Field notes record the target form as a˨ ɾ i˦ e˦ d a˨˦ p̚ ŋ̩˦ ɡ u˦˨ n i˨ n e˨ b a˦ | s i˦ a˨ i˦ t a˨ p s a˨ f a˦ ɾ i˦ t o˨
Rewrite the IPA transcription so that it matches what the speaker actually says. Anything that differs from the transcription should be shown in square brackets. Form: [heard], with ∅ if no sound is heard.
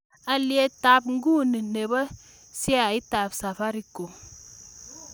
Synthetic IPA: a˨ [l] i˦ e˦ [t] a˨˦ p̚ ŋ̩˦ ɡ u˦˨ n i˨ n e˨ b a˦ | s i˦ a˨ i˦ t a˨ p s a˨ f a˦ ɾ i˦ [k] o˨